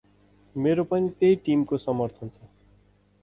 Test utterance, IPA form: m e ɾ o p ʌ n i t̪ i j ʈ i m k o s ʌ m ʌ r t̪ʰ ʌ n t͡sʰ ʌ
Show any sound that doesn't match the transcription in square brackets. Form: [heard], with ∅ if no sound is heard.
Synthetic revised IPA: m e ɾ o p ʌ n i t̪ [e] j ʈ i m k o s ʌ m ʌ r t̪ʰ ʌ n t͡sʰ ʌ